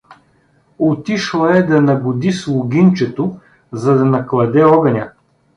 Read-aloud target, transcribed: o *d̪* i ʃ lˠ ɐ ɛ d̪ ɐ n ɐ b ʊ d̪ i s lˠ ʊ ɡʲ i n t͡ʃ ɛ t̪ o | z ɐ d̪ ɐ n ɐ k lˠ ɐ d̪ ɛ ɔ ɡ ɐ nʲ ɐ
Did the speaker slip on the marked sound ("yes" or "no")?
yes